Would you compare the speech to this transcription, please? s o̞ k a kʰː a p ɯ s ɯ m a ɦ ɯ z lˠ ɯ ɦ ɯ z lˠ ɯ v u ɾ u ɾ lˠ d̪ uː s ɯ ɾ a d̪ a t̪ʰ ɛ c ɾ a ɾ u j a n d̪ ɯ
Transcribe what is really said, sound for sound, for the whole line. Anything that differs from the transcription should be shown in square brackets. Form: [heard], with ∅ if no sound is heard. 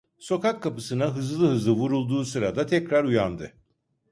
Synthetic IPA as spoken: s o̞ k a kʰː a p ɯ s ɯ [n] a ɦ ɯ z lˠ ɯ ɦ ɯ z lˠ ɯ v u ɾ u [∅] lˠ d̪ uː s ɯ ɾ a d̪ a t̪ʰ ɛ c ɾ a ɾ u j a n d̪ ɯ